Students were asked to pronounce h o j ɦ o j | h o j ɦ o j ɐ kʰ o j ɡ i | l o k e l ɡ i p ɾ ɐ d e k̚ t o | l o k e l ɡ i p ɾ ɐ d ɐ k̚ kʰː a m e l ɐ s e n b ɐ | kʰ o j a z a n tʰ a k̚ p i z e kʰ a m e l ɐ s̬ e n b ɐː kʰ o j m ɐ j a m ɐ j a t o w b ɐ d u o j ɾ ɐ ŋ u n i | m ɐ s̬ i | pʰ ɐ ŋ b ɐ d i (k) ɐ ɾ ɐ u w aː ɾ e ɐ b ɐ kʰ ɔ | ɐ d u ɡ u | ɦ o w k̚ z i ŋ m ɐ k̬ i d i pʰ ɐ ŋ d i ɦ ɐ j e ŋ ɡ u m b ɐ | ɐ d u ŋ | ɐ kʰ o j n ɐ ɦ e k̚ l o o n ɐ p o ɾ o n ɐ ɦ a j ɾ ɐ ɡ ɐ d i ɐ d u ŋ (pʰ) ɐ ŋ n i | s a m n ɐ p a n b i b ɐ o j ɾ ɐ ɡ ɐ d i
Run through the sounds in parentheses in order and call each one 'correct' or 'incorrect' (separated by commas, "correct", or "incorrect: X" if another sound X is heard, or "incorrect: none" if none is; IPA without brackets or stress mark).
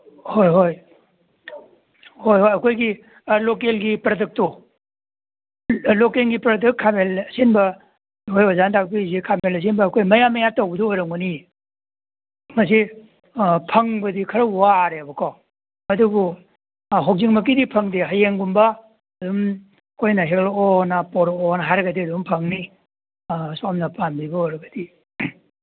incorrect: kʰ, correct